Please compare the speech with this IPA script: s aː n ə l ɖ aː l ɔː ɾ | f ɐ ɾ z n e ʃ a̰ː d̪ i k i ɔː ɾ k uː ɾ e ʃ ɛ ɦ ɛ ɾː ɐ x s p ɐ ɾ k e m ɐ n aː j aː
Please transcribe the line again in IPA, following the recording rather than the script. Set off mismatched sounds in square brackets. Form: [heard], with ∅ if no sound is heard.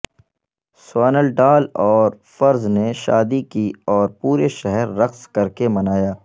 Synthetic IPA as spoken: s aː n ə l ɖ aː l ɔː ɾ | f ɐ ɾ z n e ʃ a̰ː d̪ i k i ɔː ɾ [p] uː ɾ e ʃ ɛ ɦ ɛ ɾː ɐ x s [k] ɐ ɾ k e m ɐ n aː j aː